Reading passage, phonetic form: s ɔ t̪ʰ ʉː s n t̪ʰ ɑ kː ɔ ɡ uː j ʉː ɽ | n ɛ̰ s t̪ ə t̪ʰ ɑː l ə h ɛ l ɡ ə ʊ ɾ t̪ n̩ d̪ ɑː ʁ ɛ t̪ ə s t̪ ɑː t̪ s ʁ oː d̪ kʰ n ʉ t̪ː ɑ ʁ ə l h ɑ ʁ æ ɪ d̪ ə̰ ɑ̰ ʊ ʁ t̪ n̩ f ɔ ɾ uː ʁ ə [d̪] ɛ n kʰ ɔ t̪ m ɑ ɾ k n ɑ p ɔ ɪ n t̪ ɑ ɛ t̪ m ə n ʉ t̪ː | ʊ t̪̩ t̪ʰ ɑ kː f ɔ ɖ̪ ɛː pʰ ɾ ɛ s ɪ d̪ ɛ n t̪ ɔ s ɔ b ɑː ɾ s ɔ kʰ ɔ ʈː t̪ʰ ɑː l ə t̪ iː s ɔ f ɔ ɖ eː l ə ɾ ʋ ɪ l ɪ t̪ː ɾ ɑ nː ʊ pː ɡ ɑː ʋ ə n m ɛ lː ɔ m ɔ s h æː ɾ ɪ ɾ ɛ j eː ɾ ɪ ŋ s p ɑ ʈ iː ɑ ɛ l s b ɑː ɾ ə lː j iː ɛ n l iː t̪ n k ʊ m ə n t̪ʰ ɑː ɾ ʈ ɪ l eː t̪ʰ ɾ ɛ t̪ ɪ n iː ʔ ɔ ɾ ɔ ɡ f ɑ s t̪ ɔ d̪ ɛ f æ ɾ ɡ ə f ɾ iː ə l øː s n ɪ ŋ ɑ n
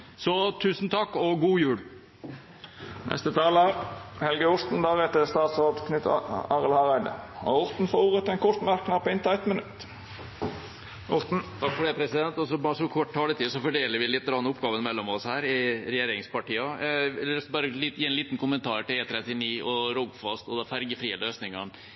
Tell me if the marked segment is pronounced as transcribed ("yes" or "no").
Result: no